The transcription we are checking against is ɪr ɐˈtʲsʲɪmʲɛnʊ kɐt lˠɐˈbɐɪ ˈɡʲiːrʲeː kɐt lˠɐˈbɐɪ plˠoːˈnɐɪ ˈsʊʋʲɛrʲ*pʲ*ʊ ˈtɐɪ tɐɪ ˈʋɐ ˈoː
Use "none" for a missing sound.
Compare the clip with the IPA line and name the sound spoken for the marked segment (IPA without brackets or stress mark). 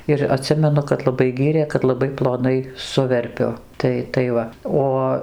pʲ